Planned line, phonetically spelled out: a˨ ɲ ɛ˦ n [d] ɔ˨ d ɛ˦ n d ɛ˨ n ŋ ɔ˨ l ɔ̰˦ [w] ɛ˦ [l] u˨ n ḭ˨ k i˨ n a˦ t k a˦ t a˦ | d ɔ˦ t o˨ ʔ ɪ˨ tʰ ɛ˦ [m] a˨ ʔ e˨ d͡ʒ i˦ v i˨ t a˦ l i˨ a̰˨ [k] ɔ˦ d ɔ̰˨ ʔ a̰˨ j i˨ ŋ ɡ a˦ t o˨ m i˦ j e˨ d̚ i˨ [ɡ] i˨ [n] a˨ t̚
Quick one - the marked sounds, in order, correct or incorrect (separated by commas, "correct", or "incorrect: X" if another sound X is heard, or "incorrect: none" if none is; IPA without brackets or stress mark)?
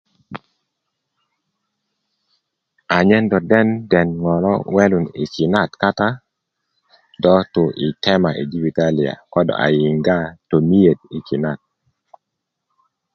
correct, correct, correct, correct, correct, incorrect: k, correct